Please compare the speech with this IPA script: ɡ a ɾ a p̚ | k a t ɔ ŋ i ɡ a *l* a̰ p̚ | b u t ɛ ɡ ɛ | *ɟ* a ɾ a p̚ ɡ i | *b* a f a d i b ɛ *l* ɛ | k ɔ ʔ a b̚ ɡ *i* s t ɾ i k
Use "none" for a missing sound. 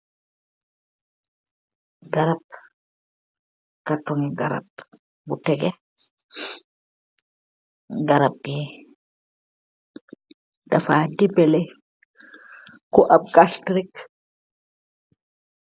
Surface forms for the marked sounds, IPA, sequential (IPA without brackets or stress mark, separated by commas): ɾ, ɡ, d, l, a